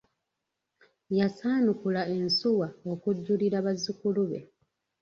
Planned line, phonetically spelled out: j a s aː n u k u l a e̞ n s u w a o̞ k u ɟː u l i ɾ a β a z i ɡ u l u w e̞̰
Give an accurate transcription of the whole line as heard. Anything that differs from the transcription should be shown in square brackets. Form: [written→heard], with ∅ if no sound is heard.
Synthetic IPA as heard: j a s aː n u k u l a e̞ n s u w a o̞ k u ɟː u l i ɾ a β a z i [ɡ→k] u l u [w→β] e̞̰